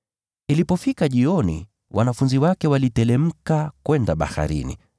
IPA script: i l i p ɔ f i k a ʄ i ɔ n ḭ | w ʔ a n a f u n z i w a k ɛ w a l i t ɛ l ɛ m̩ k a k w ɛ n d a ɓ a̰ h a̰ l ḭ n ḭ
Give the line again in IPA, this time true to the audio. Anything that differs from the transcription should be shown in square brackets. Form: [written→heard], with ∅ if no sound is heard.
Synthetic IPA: i l i p ɔ f i k a ʄ i ɔ n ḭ | w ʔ a n a f u n z i w a k ɛ w a l i t ɛ l ɛ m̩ k a k w ɛ n d a ɓ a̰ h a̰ [l→ɾ] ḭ n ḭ